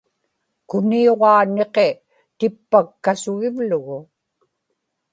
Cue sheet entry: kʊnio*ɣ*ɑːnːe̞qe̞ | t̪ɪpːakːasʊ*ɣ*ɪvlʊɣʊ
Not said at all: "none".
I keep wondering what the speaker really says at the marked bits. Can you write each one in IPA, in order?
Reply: ʁ, ɣ

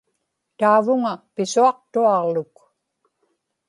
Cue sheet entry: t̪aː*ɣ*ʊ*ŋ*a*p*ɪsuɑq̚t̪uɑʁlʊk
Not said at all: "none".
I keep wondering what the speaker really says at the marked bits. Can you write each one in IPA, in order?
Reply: v, ŋ, p

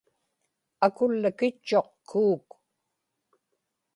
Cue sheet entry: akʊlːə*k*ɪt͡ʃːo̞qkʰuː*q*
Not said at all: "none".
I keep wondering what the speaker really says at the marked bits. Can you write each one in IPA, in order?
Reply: k, k

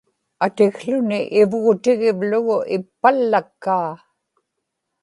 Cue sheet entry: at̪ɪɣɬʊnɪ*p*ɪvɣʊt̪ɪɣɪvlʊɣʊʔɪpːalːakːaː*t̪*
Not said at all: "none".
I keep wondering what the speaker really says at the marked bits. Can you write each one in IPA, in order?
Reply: ʔ, none

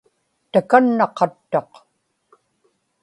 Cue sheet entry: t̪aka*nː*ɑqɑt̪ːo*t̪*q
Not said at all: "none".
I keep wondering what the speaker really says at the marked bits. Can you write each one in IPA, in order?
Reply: nː, none

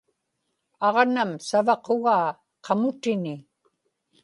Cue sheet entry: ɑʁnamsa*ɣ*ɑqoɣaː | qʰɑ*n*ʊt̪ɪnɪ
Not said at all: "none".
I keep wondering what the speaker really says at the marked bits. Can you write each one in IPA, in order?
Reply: v, m

